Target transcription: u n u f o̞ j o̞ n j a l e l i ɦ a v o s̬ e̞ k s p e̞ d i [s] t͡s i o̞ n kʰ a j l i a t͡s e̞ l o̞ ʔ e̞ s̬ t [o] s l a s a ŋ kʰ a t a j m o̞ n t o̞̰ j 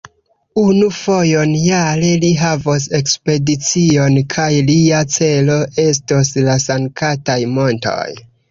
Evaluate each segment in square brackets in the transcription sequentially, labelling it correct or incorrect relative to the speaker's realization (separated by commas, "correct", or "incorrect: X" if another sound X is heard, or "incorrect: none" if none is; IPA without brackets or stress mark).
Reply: incorrect: none, correct